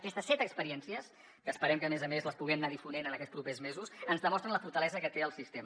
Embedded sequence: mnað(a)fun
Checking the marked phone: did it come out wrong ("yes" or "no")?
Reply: yes